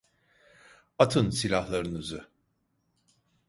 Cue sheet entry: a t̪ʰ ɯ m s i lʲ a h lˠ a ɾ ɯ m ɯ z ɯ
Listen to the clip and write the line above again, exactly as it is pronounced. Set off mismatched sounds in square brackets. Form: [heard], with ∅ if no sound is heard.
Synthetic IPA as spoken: a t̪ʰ ɯ [n] s i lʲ a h lˠ a ɾ ɯ [n] ɯ z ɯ